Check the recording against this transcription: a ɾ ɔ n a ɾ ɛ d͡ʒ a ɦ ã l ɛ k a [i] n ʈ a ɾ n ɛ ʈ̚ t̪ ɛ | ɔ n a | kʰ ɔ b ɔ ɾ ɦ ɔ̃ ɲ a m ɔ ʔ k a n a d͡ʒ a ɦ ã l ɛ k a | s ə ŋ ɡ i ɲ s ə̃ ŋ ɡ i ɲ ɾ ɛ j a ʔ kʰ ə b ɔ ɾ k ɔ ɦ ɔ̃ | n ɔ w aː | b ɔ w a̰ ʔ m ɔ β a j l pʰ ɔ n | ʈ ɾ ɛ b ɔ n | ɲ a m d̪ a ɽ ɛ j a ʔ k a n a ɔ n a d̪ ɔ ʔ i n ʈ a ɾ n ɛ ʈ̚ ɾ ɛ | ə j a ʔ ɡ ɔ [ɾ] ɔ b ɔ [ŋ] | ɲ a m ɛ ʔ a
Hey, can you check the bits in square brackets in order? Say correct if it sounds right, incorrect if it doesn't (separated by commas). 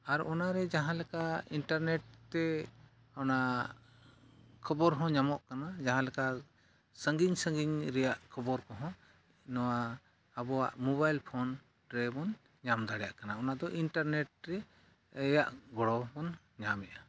correct, incorrect, incorrect